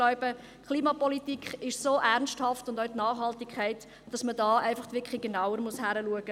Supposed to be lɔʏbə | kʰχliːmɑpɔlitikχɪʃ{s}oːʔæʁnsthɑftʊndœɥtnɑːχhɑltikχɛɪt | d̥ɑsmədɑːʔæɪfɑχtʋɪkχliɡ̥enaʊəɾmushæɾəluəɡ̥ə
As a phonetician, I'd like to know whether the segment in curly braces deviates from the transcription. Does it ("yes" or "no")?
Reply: no